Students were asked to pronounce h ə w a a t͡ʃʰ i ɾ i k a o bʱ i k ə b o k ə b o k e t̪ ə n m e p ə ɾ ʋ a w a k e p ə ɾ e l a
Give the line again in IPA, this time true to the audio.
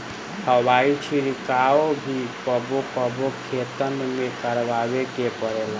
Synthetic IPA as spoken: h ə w a i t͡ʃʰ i ɾ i k a o bʱ i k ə b o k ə b o kʰ e t̪ ə n m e k ə ɾ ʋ a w e k e p ə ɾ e l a